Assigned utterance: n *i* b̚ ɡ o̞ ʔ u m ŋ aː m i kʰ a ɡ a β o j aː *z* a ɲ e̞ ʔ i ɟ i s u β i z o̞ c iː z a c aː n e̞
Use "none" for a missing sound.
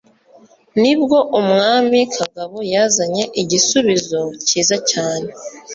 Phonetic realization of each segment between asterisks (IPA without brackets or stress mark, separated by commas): i, z